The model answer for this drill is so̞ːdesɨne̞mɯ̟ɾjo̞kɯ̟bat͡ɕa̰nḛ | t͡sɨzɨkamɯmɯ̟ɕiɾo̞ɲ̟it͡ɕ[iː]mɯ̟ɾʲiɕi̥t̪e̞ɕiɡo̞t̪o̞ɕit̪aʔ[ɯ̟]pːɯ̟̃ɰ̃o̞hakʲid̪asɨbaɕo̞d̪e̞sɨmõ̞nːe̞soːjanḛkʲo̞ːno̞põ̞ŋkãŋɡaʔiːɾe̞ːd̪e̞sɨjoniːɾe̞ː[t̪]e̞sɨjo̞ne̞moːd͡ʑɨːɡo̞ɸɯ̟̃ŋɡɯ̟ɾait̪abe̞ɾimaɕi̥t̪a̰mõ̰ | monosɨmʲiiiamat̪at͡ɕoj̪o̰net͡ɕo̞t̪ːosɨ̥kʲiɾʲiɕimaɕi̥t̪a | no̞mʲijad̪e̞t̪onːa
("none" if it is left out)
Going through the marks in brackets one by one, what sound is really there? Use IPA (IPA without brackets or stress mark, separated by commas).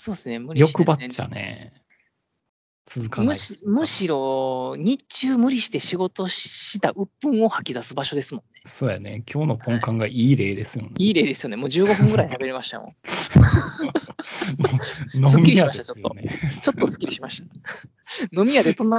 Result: ɨː, ɯ̟, d̪